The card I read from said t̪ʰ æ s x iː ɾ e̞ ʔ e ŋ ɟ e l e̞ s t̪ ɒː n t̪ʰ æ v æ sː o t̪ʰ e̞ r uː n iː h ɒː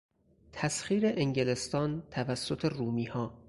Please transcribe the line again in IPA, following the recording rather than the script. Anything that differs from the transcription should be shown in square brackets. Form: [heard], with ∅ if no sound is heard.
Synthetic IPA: t̪ʰ æ s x iː ɾ e̞ ʔ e ŋ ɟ e l e̞ s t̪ ɒː n t̪ʰ æ v æ sː o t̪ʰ e̞ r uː [m] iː h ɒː